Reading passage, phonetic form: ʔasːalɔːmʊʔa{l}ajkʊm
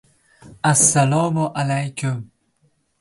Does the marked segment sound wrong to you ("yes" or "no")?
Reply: no